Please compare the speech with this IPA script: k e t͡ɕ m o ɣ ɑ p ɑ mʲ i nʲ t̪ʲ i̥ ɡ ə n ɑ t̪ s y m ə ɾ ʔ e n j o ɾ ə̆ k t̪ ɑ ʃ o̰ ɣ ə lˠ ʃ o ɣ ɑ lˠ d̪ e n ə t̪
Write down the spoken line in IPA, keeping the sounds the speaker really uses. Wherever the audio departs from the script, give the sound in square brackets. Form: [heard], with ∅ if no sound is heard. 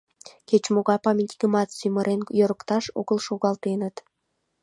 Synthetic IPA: k e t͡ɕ m o ɣ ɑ p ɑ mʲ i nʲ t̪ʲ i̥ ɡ ə [m] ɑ t̪ s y m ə ɾ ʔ e n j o ɾ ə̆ k t̪ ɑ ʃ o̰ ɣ ə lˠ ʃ o ɣ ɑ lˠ [t̪] e n ə t̪